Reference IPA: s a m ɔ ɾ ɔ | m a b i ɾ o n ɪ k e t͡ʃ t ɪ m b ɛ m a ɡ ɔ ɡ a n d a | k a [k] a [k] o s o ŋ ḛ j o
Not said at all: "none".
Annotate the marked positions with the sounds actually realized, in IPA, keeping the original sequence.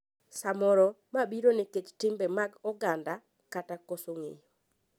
t, k

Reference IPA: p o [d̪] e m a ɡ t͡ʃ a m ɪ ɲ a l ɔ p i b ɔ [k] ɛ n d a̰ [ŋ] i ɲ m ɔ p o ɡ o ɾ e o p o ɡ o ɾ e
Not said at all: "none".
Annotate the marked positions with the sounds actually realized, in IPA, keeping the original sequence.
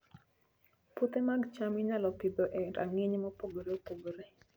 t̪, ʔ, ŋ

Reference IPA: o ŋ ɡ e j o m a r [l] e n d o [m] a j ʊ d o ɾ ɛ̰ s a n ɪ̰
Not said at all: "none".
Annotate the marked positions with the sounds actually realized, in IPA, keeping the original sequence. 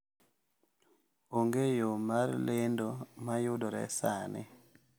l, m

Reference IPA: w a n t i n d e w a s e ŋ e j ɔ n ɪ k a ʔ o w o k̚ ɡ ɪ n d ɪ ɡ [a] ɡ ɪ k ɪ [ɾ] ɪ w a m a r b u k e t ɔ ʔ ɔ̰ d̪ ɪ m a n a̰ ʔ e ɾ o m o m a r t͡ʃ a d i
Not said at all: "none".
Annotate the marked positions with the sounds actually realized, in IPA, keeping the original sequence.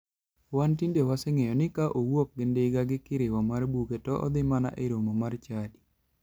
a, ɾ

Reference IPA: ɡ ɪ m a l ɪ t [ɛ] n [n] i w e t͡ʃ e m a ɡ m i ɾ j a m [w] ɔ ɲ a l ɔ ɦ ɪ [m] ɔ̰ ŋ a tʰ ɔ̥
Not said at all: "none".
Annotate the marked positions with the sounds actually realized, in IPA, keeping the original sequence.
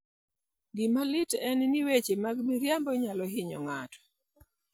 ɛ, n, b, ɲ

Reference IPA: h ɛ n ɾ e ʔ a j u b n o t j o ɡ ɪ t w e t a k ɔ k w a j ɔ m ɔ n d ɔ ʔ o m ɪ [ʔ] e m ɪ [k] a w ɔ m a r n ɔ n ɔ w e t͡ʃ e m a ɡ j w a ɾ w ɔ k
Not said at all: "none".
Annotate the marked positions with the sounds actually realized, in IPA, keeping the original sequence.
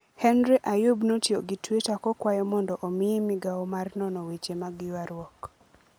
none, ɡ

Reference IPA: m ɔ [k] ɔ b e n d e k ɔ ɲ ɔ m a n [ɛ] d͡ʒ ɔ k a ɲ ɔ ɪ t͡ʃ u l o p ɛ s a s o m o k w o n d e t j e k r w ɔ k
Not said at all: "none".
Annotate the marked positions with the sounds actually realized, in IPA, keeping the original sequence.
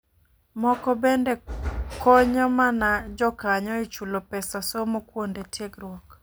k, a

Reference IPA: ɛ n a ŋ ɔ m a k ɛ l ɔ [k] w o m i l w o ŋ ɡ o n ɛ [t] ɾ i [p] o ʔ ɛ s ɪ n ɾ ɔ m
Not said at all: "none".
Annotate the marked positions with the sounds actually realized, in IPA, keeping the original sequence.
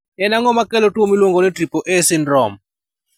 t, t, p

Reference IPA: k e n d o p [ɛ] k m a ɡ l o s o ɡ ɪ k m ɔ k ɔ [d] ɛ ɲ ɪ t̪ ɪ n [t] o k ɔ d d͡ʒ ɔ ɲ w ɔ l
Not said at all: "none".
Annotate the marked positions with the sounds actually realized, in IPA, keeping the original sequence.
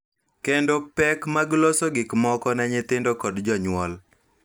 ɛ, n, d

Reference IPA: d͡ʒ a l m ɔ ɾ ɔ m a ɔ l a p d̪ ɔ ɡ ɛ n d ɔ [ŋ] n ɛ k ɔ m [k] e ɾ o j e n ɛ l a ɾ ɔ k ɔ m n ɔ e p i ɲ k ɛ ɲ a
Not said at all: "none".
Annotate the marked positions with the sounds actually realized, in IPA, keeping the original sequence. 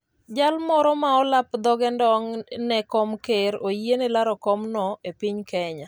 ŋ, k

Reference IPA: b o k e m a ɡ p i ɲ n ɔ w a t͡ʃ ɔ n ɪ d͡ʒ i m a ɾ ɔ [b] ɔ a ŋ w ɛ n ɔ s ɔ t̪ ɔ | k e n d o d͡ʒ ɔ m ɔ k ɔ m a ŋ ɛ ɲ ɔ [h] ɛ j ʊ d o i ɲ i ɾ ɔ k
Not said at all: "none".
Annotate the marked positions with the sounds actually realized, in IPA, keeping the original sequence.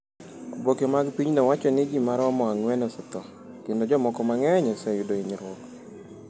m, s

